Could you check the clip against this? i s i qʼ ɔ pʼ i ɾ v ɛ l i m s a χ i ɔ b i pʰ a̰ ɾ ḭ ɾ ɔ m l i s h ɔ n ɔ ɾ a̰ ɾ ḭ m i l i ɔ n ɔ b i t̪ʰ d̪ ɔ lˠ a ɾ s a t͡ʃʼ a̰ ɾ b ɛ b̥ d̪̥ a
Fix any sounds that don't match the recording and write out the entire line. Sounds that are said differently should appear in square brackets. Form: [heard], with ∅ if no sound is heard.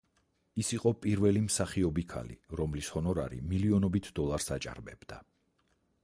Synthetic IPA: i s i qʼ ɔ pʼ i ɾ v ɛ l i m s a χ i ɔ b i [kʰ] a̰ [l] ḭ ɾ ɔ m l i s h ɔ n ɔ ɾ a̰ ɾ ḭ m i l i ɔ n ɔ b i t̪ʰ d̪ ɔ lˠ a ɾ s a t͡ʃʼ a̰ ɾ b ɛ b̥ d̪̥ a